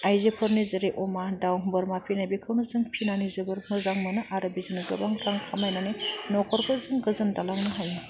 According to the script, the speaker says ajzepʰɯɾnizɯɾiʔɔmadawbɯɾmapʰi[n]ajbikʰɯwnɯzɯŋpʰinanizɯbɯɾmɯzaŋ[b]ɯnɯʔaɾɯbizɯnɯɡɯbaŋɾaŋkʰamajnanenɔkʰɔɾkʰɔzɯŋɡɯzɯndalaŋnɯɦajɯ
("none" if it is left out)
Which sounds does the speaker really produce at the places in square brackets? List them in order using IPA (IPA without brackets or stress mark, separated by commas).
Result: n, m